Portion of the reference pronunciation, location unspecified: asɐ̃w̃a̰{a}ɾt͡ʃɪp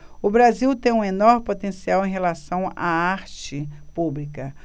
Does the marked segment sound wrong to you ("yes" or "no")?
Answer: no